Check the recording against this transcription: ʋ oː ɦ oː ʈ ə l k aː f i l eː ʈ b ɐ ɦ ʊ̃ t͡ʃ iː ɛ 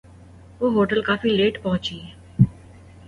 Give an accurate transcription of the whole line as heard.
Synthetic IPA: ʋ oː ɦ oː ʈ ə l k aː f i l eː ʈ p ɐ ɦ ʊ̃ t͡ʃ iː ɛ